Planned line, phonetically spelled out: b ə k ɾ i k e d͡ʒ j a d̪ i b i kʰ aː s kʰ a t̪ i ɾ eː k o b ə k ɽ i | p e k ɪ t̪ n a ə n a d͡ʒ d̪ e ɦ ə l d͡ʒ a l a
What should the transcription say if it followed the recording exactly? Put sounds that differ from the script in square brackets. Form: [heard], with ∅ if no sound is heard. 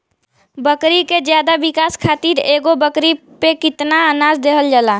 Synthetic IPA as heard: b ə k ɾ i k e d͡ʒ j a d̪ [a] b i [k] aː s kʰ a t̪ i ɾ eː [ɡ] o b ə k [ɾ] i | p e k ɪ t̪ n a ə n a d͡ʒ d̪ e ɦ ə l d͡ʒ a l a